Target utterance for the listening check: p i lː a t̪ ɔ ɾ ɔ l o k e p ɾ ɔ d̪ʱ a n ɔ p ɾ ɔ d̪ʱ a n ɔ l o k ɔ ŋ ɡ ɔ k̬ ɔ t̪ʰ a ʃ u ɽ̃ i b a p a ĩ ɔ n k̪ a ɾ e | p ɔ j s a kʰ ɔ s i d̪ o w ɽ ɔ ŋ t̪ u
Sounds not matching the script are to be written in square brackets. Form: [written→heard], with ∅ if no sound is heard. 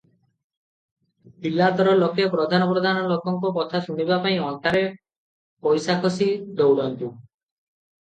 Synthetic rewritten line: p i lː a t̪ ɔ ɾ ɔ l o k e p ɾ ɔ d̪ʱ a n ɔ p ɾ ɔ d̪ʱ a n ɔ l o k ɔ ŋ [ɡ→k] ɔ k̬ ɔ t̪ʰ a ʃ u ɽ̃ i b a p a ĩ ɔ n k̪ a ɾ e | p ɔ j s a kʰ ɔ s i d̪ o w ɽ ɔ [ŋ→n] t̪ u